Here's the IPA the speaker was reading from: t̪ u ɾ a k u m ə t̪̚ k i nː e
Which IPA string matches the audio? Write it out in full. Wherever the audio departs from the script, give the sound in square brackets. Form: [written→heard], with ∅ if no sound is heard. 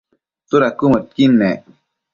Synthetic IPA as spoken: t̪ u ɾ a k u m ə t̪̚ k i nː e